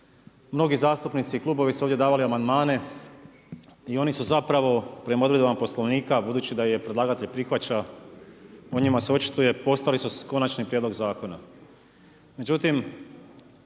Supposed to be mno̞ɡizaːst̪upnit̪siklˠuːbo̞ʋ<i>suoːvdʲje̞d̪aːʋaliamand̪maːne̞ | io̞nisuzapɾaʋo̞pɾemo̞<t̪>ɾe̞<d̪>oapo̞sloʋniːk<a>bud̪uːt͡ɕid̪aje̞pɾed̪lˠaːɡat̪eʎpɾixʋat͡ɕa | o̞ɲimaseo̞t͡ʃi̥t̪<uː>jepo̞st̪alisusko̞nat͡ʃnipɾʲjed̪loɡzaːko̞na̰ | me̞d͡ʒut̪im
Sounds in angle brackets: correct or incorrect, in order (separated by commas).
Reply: correct, incorrect, correct, correct, incorrect